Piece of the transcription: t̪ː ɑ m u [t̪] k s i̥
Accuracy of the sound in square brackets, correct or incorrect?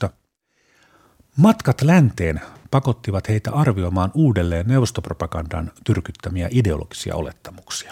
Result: incorrect